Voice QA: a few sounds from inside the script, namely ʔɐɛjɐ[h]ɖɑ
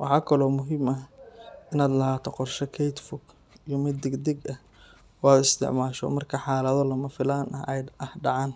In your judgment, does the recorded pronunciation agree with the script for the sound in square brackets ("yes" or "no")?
yes